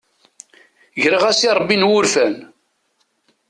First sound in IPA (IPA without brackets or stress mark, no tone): ʝ